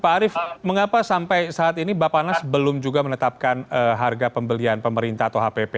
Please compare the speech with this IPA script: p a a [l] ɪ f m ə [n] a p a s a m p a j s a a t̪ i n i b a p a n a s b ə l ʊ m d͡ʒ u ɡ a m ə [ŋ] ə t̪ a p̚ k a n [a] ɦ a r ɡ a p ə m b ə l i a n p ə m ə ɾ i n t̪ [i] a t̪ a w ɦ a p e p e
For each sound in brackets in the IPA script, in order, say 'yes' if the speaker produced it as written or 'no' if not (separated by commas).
no, no, no, no, no